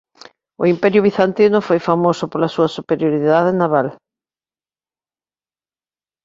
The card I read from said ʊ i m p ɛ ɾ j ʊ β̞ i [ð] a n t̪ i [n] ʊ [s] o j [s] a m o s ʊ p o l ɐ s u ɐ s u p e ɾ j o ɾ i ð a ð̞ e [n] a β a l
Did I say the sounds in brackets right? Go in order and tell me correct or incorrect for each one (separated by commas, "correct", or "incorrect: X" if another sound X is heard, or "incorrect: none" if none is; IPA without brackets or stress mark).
incorrect: θ, correct, incorrect: f, incorrect: f, correct